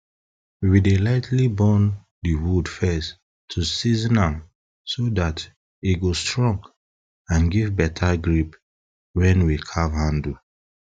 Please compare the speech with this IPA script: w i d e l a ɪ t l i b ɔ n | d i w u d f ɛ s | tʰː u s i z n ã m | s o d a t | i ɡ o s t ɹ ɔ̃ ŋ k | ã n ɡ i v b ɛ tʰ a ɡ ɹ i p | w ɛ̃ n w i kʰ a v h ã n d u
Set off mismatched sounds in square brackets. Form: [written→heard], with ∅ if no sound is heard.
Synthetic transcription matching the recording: w i d e l a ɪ t l i b ɔ n | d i w u d f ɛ s | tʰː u s i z n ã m | s o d a t | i ɡ o s t ɹ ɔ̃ ŋ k | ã n ɡ i v b ɛ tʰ a ɡ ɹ i p | w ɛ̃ n w i kʰ a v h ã n d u